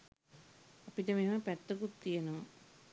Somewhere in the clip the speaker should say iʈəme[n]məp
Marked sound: incorrect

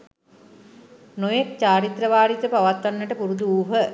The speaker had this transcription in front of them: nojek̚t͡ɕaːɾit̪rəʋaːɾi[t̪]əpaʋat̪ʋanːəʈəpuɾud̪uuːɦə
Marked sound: correct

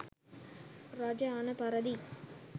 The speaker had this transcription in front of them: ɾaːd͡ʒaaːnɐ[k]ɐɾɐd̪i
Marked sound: incorrect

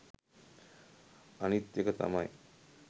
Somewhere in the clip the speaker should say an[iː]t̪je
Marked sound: incorrect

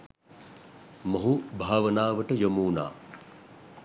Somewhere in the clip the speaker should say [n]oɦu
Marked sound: incorrect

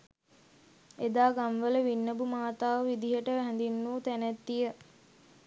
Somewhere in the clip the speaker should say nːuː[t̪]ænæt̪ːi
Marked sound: correct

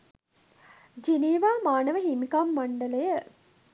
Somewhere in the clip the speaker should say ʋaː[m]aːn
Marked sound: correct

